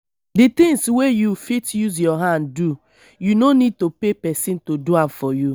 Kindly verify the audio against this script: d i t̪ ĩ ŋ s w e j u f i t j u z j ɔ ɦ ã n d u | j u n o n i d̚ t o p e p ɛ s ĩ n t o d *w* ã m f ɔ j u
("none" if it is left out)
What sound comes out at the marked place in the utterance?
u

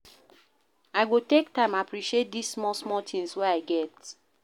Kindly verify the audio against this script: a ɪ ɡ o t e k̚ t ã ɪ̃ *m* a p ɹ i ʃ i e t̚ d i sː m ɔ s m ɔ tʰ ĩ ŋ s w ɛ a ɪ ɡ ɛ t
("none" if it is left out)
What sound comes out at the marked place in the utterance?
m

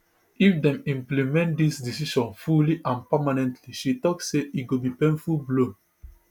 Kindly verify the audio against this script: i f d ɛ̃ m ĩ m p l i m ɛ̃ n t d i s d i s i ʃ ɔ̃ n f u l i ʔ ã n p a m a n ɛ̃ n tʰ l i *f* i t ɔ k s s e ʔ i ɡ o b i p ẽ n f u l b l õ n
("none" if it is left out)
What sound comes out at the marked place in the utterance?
ʃ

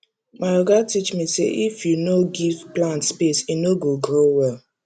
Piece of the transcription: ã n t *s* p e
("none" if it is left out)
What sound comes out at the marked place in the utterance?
s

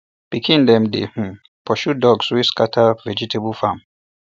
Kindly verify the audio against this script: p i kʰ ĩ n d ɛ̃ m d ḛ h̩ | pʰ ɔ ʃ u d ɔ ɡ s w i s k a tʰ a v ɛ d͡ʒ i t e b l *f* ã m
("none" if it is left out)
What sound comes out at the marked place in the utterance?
f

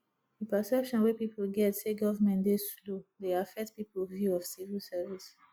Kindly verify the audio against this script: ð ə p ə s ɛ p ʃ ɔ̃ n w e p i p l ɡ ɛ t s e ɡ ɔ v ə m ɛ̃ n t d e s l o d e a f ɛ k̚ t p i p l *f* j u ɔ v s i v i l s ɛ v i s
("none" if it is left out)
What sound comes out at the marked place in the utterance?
v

